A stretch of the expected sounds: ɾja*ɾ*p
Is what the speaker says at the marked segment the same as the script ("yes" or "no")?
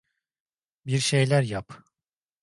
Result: no